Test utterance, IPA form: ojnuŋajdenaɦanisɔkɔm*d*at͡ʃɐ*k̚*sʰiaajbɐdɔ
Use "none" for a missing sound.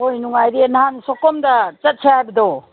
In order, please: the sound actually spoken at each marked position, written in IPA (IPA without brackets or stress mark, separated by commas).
d, t̚